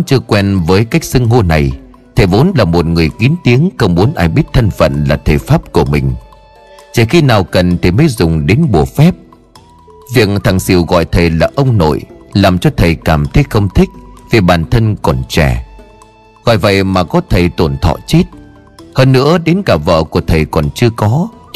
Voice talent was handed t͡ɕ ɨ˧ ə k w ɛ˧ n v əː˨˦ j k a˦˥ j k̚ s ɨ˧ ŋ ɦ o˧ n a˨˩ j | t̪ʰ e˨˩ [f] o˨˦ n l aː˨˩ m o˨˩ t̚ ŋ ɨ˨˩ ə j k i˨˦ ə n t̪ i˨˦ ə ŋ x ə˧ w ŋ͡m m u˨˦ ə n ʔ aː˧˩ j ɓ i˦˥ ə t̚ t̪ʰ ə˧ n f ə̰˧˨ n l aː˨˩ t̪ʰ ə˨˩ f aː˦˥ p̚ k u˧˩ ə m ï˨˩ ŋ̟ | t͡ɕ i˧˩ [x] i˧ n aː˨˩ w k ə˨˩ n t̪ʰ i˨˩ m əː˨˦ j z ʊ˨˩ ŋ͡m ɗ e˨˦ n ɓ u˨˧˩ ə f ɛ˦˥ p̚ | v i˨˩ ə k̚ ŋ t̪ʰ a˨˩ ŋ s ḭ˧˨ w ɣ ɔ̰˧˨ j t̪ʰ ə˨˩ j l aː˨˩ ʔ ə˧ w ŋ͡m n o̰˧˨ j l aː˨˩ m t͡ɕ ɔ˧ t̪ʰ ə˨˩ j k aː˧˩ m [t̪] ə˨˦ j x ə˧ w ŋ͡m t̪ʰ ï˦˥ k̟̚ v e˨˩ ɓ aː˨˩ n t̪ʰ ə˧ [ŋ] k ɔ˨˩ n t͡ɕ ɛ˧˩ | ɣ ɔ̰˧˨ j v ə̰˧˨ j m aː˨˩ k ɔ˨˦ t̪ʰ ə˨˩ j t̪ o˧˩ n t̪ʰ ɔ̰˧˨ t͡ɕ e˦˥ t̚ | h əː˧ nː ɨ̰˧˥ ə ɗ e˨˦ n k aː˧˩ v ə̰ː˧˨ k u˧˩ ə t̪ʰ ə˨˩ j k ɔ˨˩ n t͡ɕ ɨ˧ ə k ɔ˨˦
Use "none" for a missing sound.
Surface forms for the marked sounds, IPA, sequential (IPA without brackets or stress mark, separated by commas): v, x, t̪ʰ, n